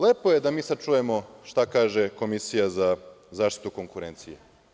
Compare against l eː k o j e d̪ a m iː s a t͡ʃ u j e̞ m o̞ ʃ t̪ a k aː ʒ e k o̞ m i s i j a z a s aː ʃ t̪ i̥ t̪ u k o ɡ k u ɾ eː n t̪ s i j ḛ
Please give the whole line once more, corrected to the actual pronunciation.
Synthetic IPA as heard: l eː p o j e d̪ a m iː s a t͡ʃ u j e̞ m o̞ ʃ t̪ a k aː ʒ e k o̞ m i s i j a z a z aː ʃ t̪ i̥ t̪ u k o ŋ k u ɾ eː n t̪ s i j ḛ